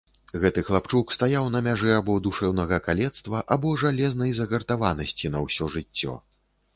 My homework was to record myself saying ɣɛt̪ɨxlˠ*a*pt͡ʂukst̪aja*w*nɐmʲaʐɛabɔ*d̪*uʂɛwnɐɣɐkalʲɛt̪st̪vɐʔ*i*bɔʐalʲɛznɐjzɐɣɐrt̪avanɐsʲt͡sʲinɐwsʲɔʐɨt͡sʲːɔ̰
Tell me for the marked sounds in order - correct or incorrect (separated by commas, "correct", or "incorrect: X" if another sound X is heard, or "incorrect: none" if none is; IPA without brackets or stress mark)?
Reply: correct, correct, correct, incorrect: a